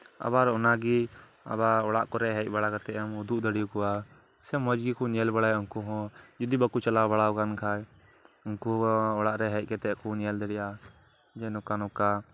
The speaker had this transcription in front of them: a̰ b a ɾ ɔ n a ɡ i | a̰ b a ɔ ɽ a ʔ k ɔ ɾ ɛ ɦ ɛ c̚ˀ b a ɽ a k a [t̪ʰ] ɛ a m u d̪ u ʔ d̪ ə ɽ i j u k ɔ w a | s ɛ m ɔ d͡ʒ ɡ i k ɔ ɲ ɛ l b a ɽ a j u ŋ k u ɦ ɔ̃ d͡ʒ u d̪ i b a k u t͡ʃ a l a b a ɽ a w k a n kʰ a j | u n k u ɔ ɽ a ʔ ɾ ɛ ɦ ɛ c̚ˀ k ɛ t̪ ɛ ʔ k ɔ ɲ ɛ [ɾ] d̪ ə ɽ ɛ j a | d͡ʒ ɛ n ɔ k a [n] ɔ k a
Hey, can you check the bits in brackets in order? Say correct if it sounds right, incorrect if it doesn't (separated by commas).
incorrect, incorrect, correct